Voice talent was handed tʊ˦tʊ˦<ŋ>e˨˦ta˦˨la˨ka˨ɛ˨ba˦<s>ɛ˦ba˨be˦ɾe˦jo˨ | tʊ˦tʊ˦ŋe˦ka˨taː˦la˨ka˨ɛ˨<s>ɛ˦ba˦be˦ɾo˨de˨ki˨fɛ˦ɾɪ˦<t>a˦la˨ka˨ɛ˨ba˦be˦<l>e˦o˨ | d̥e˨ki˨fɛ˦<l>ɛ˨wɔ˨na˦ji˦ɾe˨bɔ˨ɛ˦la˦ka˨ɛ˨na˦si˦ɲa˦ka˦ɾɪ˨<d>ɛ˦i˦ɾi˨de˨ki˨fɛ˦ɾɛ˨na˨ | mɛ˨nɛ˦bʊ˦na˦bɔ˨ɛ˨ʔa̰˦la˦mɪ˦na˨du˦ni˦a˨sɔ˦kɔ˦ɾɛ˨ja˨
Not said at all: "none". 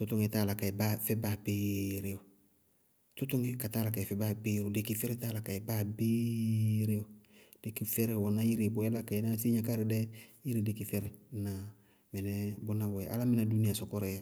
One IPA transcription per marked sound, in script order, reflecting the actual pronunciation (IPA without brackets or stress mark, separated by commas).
ŋ, f, f, t, ɾ, ɾ, d